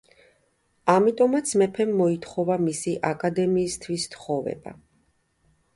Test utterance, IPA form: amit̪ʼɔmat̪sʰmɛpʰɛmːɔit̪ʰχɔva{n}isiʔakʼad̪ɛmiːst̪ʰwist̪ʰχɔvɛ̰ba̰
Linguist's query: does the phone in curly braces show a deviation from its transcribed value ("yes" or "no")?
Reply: yes